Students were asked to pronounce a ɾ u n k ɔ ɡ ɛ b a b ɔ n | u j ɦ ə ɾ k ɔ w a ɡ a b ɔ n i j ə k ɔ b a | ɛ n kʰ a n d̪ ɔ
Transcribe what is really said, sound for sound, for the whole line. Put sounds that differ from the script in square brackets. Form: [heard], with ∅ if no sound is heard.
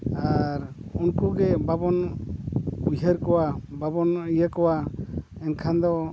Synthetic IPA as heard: a ɾ u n k [u] ɡ ɛ b a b ɔ n | u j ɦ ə ɾ k ɔ w a [b] a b ɔ n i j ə k ɔ [w] a | ɛ n kʰ a n d̪ ɔ